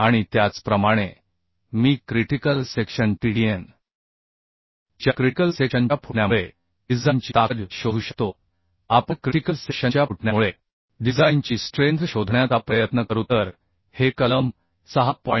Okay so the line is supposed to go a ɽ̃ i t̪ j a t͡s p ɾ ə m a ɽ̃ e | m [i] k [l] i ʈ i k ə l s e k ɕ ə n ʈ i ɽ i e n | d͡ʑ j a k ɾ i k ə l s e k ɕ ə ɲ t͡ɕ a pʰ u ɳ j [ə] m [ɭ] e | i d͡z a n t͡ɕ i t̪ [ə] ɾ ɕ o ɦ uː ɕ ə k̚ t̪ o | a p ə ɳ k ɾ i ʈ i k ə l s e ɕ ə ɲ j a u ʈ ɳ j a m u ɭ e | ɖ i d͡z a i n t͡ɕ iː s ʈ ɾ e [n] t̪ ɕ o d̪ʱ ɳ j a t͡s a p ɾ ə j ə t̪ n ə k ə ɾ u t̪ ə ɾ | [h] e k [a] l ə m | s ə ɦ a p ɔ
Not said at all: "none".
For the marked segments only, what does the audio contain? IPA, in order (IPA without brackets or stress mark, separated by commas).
iː, ɾ, a, ɭ, a, n, h, ə